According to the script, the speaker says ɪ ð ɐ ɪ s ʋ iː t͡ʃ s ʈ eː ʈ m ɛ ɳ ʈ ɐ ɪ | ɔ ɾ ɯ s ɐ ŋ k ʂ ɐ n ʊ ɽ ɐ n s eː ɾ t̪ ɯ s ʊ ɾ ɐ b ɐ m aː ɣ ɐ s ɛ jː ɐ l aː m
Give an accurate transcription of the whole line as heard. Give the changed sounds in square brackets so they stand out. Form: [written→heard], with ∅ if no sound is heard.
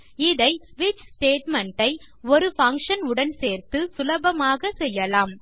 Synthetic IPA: ɪ ð ɐ ɪ s ʋ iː t͡ʃ s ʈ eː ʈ m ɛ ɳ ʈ ɐ ɪ | ɔ ɾ ɯ [s→f] ɐ ŋ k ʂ ɐ n ʊ ɽ ɐ n s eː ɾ t̪ ɯ s ʊ [ɾ→l] ɐ b ɐ m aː ɣ ɐ s ɛ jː ɐ l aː m